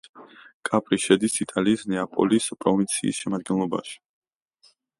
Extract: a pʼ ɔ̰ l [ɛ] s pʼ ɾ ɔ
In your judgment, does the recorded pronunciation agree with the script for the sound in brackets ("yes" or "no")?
no